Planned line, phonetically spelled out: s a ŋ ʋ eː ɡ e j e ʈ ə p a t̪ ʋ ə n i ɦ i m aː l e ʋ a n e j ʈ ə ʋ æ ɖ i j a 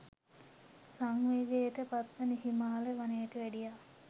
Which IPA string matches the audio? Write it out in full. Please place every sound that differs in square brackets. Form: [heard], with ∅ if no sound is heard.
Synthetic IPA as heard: s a ŋ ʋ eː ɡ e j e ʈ ə p a t̪ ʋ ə n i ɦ i m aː l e ʋ a n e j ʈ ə ʋ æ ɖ i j a